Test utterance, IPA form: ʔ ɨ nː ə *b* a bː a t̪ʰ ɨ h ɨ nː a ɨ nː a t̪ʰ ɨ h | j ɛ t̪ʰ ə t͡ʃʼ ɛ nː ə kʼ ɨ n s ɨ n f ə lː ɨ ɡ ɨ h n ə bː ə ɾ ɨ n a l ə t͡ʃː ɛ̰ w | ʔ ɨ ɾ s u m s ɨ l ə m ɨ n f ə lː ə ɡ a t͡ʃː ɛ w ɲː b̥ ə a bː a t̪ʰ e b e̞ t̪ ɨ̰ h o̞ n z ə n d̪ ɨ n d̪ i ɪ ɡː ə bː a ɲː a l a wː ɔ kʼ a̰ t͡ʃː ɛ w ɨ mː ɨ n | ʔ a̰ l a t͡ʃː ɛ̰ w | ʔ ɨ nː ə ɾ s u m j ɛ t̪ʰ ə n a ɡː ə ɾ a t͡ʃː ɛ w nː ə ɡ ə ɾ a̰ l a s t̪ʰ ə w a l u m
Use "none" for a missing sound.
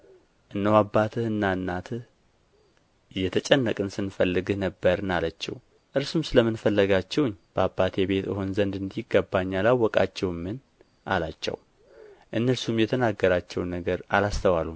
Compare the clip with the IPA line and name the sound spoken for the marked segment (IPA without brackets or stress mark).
w